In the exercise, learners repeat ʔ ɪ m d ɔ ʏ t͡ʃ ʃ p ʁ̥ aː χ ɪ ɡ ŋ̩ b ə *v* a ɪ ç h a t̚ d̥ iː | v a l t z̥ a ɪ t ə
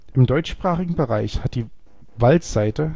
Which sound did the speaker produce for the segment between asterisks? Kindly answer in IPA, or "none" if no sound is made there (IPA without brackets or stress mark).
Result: ʁ